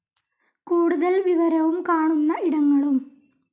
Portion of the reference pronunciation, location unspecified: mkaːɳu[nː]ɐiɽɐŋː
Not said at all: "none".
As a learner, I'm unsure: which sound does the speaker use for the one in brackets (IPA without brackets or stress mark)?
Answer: nː